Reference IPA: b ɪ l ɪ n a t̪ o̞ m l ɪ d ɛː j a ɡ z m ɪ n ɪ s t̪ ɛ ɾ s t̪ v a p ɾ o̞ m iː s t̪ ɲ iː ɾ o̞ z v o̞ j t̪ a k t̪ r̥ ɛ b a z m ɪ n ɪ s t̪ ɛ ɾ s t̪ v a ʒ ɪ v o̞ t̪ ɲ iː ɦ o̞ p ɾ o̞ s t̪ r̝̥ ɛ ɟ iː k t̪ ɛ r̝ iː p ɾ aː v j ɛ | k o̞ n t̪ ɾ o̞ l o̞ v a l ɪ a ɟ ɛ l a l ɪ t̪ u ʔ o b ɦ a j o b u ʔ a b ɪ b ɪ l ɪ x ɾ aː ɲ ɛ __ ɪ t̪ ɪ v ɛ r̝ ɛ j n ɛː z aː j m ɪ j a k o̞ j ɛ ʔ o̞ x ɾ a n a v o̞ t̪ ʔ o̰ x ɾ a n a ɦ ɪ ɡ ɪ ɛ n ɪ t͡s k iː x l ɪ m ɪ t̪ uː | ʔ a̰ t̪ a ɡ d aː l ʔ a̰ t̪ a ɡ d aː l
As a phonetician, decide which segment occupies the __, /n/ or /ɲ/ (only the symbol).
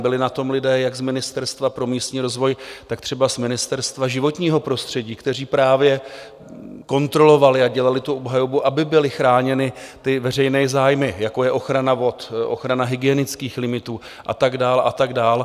n